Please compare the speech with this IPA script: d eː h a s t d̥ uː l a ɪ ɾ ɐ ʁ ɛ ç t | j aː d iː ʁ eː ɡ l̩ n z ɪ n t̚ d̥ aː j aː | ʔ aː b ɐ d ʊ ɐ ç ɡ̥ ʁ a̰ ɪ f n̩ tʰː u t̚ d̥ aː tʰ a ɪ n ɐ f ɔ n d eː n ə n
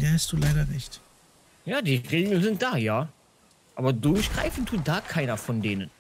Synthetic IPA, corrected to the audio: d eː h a s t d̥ uː l a ɪ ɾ ɐ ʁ ɛ ç t | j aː d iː ʁ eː ɡ l̩ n z ɪ n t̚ d̥ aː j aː | ʔ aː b ɐ d ʊ ɐ ç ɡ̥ ʁ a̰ ɪ f n̩ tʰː uː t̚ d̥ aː kʰ a ɪ n ɐ f ɔ n d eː n ə n